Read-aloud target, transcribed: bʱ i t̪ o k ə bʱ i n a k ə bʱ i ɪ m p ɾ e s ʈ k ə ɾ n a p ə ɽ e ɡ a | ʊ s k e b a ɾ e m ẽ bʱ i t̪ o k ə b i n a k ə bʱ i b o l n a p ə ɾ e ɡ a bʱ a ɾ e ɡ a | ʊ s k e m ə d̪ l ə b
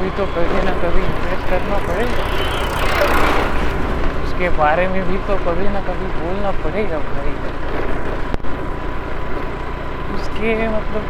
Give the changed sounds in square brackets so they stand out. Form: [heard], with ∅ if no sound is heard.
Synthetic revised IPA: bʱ i t̪ o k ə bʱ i n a k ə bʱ i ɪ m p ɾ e s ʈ k ə ɾ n a p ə ɽ e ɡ a | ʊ s k e b a ɾ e m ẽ bʱ i t̪ o k ə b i n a k ə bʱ i b o l n a p ə [ɽ] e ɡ a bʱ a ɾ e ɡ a | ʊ s k e m ə [t̪] l ə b